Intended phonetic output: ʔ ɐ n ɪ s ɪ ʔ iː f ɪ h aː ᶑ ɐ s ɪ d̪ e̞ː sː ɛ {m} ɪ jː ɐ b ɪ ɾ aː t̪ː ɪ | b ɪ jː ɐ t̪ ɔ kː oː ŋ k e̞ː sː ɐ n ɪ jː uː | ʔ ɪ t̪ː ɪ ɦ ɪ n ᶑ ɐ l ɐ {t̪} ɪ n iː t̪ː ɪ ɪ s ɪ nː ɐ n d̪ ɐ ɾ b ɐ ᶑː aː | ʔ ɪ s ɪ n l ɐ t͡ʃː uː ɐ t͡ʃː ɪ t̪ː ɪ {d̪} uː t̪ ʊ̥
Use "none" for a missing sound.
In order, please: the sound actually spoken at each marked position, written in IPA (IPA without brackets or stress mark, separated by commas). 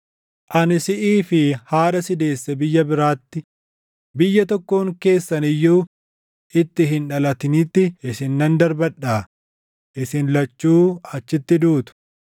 b, t̪, d̪